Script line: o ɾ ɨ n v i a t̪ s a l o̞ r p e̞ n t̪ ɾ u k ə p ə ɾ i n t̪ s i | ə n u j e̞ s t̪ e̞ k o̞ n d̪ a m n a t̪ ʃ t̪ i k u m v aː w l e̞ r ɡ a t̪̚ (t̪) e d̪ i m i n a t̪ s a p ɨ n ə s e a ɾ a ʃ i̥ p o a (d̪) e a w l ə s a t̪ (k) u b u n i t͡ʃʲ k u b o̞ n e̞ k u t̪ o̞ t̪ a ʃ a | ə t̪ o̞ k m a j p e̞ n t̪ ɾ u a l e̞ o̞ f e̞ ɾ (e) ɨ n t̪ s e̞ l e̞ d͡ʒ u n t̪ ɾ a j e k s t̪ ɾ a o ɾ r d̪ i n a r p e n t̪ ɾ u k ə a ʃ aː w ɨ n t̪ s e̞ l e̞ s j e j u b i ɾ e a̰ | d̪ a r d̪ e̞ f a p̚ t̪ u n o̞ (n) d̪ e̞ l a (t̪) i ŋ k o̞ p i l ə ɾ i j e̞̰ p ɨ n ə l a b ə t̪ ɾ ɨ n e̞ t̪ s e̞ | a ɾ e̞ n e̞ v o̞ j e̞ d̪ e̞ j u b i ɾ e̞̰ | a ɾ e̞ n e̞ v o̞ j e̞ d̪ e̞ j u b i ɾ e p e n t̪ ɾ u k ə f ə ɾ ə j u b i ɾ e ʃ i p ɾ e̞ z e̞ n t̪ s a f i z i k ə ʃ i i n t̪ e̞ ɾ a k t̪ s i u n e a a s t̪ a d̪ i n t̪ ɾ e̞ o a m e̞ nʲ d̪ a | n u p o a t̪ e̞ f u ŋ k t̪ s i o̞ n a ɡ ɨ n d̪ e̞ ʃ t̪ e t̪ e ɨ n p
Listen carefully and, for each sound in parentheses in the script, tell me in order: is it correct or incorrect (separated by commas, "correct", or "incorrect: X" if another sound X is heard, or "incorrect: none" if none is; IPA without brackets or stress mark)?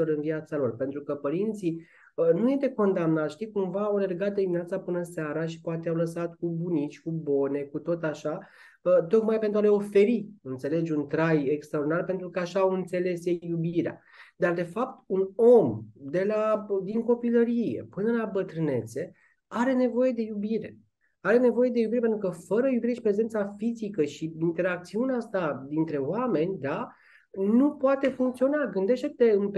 incorrect: d̪, incorrect: t̪, correct, incorrect: i, incorrect: m, incorrect: d̪